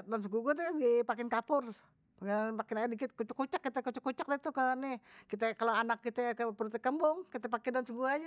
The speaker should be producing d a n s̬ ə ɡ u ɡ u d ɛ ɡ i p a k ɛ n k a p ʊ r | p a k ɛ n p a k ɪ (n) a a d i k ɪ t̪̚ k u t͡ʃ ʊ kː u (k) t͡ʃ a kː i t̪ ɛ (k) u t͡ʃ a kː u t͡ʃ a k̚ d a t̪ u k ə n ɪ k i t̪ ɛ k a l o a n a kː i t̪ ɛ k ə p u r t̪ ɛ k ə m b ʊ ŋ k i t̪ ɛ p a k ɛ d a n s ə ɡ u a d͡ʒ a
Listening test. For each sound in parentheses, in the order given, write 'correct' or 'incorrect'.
correct, incorrect, correct

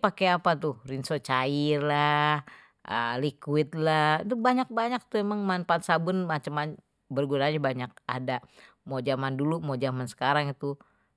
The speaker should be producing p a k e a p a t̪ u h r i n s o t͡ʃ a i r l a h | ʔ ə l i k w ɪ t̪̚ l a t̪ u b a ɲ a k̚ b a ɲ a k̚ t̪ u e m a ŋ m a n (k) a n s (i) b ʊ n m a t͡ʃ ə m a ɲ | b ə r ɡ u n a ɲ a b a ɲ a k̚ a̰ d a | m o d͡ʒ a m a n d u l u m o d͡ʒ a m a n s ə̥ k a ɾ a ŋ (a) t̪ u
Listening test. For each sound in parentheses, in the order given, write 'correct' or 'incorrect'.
incorrect, incorrect, incorrect

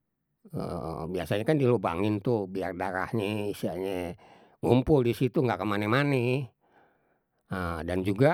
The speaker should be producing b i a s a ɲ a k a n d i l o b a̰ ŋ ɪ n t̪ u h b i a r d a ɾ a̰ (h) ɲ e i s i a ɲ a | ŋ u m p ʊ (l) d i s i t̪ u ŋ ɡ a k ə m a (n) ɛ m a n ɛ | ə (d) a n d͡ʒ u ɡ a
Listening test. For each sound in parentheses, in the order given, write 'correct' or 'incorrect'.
correct, correct, correct, correct

